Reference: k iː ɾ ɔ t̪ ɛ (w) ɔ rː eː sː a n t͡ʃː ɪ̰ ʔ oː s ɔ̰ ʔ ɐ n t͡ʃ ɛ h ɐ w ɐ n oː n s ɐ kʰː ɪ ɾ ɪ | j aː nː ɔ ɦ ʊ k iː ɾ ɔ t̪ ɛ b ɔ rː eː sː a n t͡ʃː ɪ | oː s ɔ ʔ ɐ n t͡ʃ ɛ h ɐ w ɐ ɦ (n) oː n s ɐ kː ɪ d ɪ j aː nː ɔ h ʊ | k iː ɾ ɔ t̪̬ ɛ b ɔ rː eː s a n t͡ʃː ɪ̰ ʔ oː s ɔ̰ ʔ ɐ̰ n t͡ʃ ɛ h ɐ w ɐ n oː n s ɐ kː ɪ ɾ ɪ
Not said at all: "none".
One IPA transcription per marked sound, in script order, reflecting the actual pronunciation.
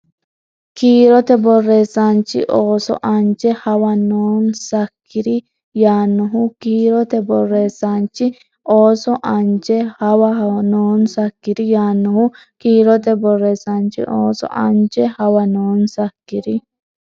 b, n

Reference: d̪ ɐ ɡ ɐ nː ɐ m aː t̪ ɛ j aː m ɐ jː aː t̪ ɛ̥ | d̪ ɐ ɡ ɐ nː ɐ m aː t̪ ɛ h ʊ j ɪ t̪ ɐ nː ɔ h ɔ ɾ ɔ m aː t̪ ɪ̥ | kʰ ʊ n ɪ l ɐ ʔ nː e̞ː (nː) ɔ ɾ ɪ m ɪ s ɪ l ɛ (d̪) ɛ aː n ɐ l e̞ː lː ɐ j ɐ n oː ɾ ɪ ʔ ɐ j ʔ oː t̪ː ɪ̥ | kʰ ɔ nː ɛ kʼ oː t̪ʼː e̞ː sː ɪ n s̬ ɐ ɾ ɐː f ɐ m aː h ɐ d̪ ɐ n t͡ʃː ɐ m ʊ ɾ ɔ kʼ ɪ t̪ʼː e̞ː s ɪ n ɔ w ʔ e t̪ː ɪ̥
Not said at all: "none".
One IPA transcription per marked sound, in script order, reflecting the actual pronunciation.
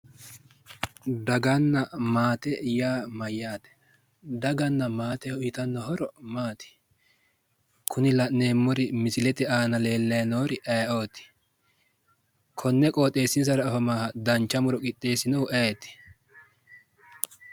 mː, t̪

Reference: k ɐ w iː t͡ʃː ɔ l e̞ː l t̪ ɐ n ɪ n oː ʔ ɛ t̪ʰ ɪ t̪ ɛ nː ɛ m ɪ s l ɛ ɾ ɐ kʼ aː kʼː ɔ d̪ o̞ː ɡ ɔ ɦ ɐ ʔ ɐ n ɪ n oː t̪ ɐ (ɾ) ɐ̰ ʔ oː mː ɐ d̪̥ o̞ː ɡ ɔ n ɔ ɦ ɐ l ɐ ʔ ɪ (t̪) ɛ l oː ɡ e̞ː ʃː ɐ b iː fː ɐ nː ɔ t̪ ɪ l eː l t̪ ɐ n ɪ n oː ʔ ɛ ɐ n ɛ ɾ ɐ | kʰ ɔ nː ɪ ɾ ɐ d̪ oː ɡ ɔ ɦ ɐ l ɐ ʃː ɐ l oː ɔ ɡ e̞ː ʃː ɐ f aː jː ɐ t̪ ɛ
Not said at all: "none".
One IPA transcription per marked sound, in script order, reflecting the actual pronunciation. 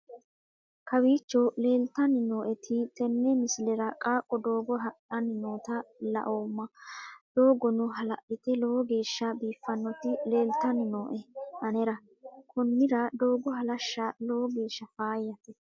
l, t̪

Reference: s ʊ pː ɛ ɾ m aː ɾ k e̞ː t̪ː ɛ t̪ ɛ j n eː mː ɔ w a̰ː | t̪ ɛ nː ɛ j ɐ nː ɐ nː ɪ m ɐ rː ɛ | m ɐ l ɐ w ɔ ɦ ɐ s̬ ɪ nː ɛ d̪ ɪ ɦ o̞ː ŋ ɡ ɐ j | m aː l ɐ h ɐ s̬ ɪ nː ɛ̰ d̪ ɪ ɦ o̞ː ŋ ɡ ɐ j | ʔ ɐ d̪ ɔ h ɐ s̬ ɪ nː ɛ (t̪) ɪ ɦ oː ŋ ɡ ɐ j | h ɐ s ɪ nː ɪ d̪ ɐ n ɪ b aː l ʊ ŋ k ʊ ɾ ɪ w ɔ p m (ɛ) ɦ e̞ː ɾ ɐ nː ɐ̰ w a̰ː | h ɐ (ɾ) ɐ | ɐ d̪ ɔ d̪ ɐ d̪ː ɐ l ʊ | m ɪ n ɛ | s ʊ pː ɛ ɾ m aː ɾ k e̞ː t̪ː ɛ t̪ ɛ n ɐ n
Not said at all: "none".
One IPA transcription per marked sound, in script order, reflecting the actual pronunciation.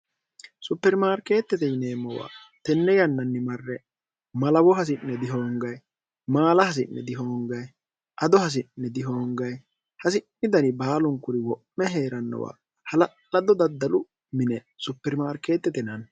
d̪, ɛ, l

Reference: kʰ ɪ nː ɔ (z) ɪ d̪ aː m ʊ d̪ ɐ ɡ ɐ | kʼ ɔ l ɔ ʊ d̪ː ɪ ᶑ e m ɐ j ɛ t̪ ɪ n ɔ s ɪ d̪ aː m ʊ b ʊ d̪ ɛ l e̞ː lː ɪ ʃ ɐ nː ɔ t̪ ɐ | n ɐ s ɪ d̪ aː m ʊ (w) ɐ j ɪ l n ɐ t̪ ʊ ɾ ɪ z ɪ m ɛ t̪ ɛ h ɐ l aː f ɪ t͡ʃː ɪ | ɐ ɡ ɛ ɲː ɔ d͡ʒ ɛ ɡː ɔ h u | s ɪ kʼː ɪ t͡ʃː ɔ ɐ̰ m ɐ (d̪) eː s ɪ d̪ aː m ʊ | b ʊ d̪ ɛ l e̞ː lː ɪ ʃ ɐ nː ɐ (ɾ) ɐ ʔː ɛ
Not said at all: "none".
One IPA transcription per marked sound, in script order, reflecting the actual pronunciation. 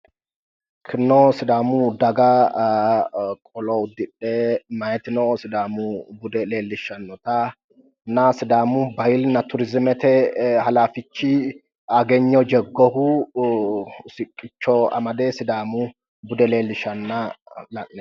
s, b, d̪, l

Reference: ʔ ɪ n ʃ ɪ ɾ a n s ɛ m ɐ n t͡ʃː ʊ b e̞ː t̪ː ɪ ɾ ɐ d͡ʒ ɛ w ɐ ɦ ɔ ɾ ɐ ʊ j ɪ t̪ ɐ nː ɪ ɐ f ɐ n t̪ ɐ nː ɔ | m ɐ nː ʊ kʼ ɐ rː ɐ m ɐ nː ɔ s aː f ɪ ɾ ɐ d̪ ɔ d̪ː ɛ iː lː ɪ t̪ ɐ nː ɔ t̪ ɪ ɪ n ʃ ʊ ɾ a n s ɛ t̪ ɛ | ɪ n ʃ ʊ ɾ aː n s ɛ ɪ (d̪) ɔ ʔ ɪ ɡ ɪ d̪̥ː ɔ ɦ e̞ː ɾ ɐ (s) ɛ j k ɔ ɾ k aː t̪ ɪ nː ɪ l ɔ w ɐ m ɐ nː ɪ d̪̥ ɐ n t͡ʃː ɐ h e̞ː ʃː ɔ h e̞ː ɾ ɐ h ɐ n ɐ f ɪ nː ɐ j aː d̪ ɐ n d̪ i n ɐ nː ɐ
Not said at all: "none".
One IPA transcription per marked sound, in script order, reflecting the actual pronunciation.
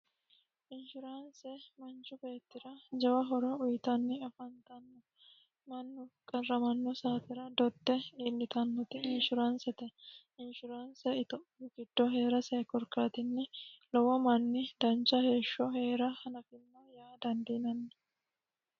t̪, s

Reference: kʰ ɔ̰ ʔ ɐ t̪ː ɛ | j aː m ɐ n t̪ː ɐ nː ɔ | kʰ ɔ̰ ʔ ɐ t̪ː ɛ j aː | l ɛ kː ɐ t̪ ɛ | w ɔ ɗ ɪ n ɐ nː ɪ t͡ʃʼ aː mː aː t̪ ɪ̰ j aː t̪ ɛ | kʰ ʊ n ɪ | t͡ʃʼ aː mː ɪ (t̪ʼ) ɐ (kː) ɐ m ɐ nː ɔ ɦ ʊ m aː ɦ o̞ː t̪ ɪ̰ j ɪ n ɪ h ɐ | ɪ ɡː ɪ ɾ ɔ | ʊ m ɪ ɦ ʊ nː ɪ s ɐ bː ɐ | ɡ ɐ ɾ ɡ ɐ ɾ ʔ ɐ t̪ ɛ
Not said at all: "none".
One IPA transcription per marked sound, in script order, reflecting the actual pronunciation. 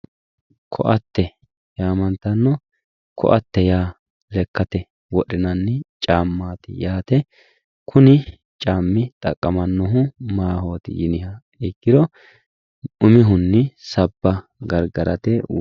t̪ʼ, kʼː

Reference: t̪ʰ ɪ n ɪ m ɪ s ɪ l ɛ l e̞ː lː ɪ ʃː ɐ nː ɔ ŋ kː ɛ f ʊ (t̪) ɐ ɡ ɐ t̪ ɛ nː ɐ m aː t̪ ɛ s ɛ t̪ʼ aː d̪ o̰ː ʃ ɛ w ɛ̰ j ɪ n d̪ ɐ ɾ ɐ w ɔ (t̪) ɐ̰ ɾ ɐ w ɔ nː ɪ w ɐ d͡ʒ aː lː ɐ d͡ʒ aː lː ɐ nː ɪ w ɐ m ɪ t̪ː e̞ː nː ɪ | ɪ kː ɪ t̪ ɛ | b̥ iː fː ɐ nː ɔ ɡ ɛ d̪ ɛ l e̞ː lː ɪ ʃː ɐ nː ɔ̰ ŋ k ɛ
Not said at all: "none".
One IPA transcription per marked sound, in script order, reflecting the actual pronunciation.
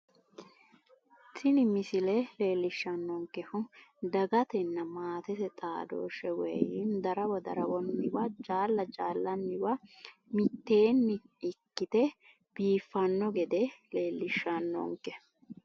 d̪, d̪

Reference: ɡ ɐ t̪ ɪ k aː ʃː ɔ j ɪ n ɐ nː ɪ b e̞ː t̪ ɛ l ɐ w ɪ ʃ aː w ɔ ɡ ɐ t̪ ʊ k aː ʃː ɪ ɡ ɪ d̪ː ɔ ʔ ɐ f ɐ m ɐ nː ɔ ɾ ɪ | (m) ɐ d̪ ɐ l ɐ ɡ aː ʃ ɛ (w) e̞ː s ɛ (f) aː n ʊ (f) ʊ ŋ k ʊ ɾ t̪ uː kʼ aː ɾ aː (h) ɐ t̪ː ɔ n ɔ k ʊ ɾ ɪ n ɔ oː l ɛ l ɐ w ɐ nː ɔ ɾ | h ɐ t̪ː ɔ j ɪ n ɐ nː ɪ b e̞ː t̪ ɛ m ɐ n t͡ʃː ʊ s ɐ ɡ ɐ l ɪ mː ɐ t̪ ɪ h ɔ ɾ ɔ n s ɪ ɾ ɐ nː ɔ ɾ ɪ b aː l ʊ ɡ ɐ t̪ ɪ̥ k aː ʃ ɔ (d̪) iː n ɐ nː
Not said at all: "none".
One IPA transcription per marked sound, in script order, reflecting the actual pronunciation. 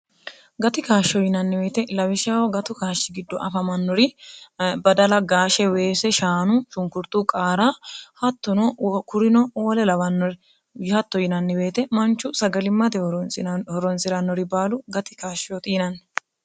b, w, ʃ, ʃ, h, t̪

